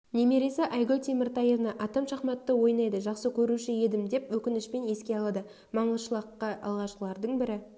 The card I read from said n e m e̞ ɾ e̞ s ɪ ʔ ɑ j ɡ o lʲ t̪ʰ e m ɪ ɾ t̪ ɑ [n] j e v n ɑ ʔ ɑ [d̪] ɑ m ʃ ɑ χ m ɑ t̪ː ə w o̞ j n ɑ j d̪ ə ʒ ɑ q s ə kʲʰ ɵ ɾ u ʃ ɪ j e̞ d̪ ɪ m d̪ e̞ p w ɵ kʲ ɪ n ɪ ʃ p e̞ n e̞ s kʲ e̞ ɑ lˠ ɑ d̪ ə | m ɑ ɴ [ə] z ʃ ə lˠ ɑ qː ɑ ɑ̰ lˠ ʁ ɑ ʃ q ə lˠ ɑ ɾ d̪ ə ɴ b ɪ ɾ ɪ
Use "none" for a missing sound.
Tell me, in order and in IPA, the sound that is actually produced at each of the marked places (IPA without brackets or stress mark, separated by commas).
none, t̪, ə